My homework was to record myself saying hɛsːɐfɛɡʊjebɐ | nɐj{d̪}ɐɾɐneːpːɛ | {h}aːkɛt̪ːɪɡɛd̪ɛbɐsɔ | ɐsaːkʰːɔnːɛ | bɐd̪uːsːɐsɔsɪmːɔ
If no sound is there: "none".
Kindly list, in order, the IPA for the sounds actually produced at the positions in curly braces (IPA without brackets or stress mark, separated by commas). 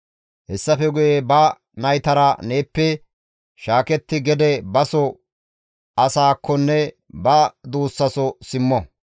t̪, ʃ